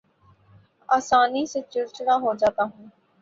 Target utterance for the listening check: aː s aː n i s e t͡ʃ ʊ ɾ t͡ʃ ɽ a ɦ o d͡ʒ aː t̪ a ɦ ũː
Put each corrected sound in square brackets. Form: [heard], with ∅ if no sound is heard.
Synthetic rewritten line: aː s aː n i s e t͡ʃ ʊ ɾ t͡ʃ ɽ a ɦ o d͡ʒ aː t̪ a ɦ ũː